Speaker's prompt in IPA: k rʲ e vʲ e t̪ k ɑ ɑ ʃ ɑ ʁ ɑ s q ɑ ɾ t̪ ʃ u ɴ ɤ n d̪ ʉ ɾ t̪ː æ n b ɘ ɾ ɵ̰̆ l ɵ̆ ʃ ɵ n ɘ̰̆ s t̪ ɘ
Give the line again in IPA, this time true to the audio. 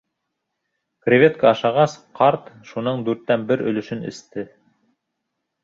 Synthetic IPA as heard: k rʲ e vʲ e t̪ k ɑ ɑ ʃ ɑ ʁ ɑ s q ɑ ɾ t̪ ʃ u n ɤ ɴ d̪ ʉ ɾ t̪ː æ n b ɘ ɾ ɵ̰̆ l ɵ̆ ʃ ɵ n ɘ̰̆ s t̪ ɘ